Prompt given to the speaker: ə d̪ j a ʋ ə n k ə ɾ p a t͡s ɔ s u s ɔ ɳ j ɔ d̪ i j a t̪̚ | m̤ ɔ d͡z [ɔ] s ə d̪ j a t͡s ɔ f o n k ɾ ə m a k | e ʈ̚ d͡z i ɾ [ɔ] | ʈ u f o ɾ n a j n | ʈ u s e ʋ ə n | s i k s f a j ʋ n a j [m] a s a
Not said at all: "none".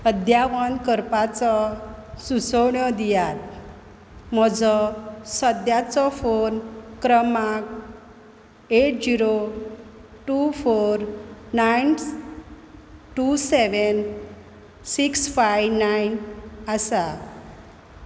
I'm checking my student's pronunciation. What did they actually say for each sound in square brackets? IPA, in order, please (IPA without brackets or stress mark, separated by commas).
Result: ɔ, o, n